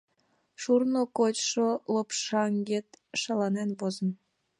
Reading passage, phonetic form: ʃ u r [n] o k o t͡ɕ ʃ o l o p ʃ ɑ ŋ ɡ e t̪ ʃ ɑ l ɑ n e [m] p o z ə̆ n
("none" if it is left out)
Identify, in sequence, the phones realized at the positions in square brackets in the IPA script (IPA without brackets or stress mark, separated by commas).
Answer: n, n